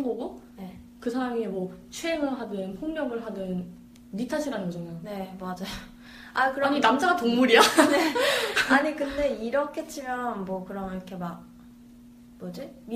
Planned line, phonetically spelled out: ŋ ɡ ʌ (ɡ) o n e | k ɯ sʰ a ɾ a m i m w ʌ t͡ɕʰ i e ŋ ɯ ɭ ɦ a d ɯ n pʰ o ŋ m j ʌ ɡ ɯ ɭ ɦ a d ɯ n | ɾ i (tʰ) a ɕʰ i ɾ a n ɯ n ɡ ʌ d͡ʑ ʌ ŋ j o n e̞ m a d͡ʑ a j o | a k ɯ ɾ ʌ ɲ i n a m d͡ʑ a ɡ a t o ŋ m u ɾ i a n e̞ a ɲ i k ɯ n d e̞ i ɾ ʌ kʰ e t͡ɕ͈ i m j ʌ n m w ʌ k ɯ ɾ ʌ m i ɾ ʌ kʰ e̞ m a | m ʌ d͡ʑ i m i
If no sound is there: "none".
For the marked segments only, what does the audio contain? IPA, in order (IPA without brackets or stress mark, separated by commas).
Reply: ɡ, tʰ